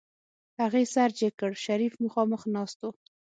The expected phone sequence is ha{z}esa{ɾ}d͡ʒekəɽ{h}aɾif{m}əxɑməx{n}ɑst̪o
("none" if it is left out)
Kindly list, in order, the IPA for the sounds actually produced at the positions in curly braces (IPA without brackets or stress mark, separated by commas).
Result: ɣ, ɾ, ʃ, m, n